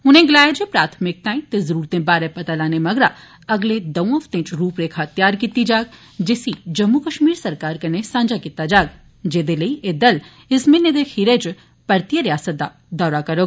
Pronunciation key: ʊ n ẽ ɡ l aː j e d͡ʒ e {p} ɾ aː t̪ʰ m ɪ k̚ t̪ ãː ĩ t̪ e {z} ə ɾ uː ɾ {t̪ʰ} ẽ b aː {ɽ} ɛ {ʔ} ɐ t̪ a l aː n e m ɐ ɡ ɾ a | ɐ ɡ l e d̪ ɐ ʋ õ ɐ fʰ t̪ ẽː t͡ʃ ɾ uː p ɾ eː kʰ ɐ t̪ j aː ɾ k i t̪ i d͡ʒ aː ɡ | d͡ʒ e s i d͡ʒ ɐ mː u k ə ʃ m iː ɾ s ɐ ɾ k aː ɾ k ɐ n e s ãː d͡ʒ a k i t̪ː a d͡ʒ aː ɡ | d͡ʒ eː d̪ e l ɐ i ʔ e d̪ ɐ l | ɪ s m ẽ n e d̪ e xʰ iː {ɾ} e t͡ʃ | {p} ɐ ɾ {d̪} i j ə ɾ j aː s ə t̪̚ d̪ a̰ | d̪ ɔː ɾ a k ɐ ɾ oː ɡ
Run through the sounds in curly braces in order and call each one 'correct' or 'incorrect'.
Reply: correct, correct, incorrect: t̪, incorrect: ɾ, incorrect: p, correct, correct, incorrect: t̪

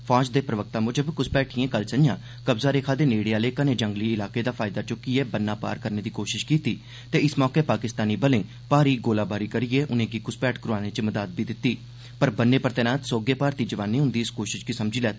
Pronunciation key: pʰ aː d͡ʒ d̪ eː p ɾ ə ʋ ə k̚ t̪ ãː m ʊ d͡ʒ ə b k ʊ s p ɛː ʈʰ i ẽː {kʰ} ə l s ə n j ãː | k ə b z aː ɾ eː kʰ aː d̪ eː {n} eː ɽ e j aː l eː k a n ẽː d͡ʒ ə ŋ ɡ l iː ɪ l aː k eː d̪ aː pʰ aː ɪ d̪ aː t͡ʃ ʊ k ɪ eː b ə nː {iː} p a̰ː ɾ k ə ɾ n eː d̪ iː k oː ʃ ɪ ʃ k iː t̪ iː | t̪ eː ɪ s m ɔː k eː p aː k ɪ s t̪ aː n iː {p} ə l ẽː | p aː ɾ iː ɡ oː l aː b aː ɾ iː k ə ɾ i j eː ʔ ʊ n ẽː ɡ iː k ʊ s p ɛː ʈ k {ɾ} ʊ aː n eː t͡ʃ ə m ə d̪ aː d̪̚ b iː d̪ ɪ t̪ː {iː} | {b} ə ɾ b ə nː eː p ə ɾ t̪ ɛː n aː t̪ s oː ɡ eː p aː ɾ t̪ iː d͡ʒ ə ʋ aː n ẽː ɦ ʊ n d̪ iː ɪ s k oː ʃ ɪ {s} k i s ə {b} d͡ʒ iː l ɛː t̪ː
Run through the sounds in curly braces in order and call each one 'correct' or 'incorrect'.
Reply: incorrect: k, correct, incorrect: aː, incorrect: b, correct, correct, incorrect: p, incorrect: ʃ, incorrect: m

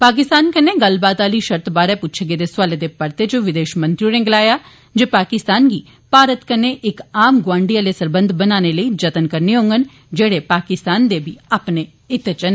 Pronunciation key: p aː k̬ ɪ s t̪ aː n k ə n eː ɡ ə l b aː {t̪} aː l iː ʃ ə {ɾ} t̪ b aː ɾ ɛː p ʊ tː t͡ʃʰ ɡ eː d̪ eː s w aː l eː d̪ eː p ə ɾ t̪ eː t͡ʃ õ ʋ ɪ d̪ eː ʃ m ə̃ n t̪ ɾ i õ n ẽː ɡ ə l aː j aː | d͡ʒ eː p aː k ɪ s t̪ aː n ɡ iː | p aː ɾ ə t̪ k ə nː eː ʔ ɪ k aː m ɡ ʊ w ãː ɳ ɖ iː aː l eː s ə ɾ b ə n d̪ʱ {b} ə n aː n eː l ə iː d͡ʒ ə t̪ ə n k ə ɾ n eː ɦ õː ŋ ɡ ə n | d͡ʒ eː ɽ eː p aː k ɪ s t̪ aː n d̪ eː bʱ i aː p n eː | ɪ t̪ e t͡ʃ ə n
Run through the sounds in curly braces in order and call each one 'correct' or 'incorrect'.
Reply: correct, correct, correct

